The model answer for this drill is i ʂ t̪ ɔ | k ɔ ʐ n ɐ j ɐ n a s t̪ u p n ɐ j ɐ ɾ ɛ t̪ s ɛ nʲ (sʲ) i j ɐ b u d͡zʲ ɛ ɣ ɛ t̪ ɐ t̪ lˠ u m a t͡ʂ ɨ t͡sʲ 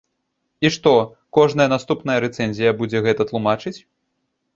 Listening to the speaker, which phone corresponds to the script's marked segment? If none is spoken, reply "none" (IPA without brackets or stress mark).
zʲ